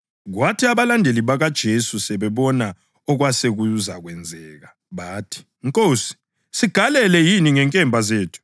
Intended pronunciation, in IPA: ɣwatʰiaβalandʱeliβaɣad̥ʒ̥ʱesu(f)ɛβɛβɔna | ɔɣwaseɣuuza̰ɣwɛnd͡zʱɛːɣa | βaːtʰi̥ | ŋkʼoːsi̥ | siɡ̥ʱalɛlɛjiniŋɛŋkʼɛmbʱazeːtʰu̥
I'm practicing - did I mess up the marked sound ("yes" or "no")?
yes